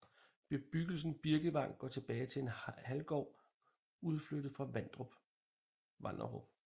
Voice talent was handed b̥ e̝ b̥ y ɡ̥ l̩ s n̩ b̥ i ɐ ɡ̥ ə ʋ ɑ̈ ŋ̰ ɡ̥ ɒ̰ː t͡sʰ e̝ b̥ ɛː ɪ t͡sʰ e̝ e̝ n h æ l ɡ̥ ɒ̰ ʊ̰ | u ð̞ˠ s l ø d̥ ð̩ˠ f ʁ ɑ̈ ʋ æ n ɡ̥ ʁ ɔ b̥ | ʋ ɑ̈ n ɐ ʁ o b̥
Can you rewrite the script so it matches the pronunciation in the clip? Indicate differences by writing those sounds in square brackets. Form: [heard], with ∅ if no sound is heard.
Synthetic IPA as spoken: b̥ e̝ b̥ y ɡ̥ l̩ s n̩ b̥ i ɐ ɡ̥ ə ʋ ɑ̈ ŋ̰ ɡ̥ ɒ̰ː t͡sʰ e̝ b̥ ɛː ɪ t͡sʰ e̝ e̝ n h æ l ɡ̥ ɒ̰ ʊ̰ | u ð̞ˠ [f] l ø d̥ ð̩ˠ f ʁ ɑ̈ ʋ æ n [d̥] ʁ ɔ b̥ | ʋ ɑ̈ n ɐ ʁ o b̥